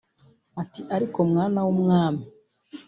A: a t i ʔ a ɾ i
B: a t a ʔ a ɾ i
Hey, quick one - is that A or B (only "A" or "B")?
A